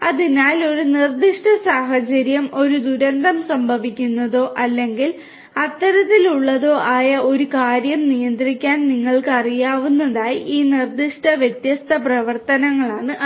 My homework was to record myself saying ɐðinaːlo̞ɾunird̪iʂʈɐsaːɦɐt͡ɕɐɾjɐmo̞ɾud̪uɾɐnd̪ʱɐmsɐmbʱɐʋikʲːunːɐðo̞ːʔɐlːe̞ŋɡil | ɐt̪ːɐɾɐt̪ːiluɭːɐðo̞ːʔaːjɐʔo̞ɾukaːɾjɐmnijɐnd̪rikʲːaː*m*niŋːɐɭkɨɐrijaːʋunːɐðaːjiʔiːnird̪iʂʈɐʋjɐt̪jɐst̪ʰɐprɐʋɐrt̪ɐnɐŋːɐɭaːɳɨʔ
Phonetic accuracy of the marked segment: incorrect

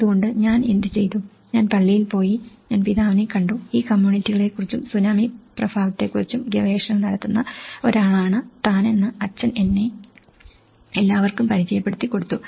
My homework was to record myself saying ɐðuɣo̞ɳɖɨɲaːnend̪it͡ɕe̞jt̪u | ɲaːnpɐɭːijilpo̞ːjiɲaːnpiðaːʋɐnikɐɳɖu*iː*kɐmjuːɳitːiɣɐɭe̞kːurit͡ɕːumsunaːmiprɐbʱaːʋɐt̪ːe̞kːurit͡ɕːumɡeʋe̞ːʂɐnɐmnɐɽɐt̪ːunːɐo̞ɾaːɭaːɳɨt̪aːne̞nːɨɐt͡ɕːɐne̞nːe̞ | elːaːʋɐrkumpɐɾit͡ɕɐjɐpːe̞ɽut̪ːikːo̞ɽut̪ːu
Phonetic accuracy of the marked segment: correct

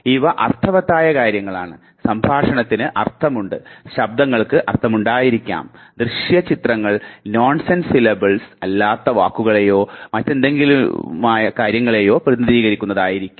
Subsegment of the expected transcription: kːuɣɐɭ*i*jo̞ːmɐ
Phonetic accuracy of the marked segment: incorrect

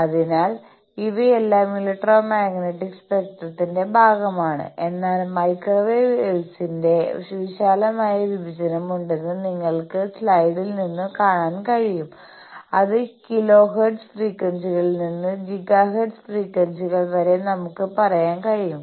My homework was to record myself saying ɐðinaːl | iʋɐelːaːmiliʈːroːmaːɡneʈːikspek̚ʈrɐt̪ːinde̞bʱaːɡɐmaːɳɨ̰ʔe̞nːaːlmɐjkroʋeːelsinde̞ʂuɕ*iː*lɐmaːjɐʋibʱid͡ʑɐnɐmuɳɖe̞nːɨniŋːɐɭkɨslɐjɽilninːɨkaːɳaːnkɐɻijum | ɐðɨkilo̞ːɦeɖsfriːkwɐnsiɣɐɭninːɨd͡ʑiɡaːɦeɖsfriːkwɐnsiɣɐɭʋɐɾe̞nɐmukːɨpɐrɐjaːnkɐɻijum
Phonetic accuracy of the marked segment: incorrect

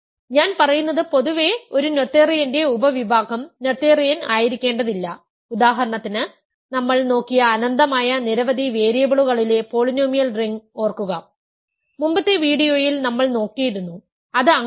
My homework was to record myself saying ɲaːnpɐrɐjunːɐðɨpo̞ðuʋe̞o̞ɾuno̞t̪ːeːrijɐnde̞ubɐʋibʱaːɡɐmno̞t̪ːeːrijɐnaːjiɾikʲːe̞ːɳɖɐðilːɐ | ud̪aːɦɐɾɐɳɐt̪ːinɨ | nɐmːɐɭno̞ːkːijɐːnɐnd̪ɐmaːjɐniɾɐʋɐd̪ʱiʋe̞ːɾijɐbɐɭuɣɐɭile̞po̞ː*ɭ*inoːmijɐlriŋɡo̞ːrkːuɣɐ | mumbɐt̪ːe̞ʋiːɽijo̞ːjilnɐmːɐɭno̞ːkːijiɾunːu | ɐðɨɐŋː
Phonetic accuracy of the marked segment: correct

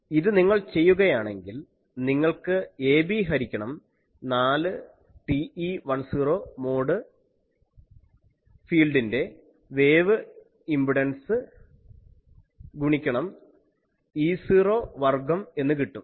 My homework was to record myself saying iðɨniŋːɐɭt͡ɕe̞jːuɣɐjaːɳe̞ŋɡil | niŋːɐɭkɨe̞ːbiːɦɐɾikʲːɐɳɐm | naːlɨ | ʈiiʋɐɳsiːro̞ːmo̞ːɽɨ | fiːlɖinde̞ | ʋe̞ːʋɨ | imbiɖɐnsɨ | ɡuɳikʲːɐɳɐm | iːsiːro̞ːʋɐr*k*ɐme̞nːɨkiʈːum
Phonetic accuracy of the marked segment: incorrect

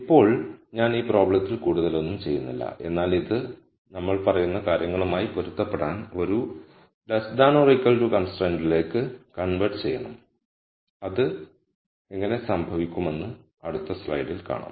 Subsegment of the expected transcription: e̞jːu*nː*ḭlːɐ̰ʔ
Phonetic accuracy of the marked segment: correct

